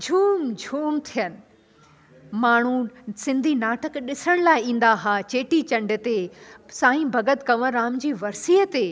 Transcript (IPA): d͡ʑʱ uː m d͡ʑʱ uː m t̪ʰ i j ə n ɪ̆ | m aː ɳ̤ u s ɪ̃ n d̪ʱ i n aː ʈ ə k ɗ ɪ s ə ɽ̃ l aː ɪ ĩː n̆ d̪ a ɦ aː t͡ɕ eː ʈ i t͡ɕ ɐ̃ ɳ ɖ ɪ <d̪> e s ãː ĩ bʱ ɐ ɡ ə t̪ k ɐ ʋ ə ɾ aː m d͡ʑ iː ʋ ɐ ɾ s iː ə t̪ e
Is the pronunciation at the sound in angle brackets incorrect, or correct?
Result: incorrect